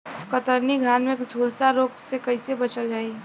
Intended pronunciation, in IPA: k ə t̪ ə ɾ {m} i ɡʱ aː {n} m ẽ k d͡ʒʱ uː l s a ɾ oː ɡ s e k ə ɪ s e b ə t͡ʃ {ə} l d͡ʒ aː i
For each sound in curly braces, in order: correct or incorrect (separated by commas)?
incorrect, correct, correct